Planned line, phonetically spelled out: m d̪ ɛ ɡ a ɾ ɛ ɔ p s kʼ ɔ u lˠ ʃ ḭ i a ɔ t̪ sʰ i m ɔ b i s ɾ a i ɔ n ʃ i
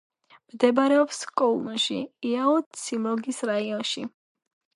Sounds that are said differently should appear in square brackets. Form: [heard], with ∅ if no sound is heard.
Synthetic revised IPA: m d̪ ɛ [b] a ɾ ɛ ɔ p s kʼ ɔ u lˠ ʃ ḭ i a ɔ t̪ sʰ i m ɔ [ɡ] i s ɾ a i ɔ n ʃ i